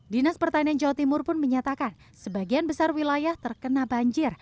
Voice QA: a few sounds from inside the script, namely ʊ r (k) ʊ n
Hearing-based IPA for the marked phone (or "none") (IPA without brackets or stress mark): p